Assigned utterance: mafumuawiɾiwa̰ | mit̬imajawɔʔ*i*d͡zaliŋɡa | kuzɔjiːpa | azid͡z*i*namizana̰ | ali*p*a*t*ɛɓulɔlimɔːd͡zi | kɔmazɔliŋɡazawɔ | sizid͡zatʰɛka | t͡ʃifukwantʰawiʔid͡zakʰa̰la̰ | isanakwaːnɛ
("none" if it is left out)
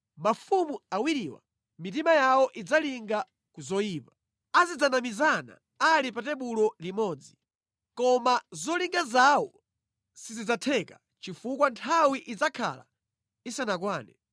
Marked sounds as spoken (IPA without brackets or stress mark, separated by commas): i, a, p, t